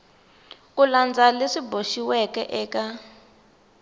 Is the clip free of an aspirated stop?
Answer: yes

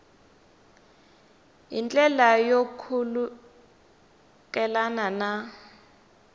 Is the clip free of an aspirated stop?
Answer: no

